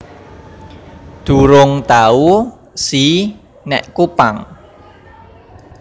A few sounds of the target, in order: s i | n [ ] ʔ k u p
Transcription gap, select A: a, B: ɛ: B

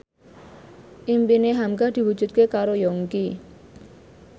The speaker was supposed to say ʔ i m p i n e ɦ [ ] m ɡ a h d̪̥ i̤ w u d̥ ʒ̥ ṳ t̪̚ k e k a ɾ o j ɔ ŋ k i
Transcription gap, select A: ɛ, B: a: B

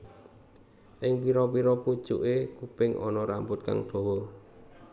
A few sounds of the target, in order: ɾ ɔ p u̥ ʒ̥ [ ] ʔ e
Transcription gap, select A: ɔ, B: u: B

